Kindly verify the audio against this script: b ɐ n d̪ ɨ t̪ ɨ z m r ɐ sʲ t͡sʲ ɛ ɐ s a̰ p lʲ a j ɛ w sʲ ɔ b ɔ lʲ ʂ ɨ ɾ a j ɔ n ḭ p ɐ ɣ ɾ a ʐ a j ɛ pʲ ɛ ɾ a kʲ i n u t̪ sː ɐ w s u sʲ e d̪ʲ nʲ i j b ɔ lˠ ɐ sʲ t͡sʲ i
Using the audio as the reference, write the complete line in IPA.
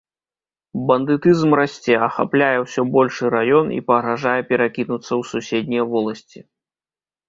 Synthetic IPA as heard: b ɐ n d̪ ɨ t̪ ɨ z m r a sʲ t͡sʲ ɛ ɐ x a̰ p lʲ a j ɛ w sʲ ɔ b ɔ lʲ ʂ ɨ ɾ a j ɔ n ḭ p ɐ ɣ ɾ a ʐ a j ɛ pʲ ɛ ɾ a kʲ i n u t̪ sː ɐ w s u sʲ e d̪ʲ nʲ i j v ɔ lˠ ɐ sʲ t͡sʲ i